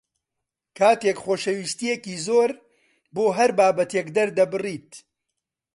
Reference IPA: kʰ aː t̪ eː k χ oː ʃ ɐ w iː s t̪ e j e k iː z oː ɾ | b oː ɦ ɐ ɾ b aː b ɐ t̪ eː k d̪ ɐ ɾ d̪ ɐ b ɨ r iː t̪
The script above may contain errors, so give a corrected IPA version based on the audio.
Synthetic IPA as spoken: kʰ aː t̪ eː k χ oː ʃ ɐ w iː s t̪ i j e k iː z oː ɾ | b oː ɦ ɐ ɾ b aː b ɐ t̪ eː k d̪ ɐ ɾ d̪ ɐ b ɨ r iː t̪